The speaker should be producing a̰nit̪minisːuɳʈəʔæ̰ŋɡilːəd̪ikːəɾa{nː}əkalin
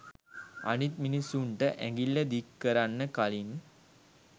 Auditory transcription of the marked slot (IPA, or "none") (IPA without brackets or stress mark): nː